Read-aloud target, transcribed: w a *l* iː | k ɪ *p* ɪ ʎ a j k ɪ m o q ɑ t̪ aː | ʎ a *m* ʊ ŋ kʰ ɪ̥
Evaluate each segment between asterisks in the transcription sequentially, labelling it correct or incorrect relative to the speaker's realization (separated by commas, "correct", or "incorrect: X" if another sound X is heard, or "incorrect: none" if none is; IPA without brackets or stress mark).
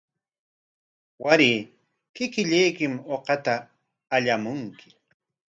incorrect: ɾ, incorrect: k, correct